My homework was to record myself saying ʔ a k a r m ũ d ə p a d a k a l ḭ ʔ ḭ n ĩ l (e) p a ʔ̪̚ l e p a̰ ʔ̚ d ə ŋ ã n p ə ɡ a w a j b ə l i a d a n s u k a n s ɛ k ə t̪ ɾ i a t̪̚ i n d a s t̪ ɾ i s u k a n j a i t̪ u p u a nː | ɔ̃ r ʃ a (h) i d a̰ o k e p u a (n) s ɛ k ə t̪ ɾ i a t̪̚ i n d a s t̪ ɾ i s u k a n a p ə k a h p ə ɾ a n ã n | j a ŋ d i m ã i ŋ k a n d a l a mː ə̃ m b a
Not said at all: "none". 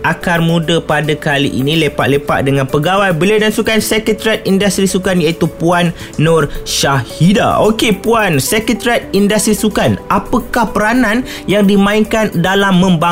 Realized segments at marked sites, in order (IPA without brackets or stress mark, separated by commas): e, h, n